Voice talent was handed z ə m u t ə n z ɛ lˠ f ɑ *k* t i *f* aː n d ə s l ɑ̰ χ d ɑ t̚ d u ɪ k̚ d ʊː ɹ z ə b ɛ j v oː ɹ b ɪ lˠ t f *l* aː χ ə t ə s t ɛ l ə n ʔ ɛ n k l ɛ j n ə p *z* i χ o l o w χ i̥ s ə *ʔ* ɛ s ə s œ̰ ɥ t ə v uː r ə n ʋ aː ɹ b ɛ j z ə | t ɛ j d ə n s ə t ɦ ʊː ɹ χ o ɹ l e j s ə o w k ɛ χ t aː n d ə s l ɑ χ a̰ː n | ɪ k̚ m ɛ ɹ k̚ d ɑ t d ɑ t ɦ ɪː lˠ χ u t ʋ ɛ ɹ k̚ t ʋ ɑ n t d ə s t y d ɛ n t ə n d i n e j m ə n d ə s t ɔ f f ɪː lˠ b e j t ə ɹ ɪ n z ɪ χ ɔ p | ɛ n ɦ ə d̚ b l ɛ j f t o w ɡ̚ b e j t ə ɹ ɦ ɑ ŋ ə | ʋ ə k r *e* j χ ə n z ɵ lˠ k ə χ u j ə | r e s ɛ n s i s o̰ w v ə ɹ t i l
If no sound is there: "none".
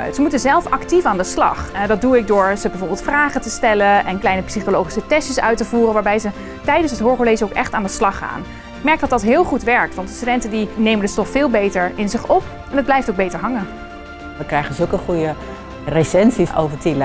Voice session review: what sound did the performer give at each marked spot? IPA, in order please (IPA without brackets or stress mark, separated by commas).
k, f, r, s, t, ɛ